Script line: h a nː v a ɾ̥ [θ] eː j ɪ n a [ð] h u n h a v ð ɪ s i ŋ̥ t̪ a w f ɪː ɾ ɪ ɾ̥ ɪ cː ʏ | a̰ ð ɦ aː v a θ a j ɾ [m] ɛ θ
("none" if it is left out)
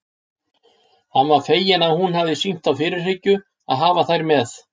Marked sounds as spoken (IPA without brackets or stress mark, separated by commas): f, ð, m